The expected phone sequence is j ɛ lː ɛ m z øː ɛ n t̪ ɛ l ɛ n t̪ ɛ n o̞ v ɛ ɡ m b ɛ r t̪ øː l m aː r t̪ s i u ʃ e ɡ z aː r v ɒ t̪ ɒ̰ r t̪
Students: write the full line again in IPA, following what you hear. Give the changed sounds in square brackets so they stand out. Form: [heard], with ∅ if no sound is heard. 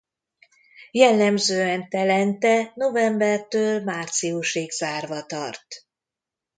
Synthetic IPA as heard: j ɛ lː ɛ m z øː ɛ n t̪ ɛ l ɛ n t̪ ɛ n o̞ v ɛ [∅] m b ɛ r t̪ øː l m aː r t̪ s i u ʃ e ɡ z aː r v ɒ t̪ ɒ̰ r t̪